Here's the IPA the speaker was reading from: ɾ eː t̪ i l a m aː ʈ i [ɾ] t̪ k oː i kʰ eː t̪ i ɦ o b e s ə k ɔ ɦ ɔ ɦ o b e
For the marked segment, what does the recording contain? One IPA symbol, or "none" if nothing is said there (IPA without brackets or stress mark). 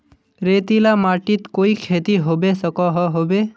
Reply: none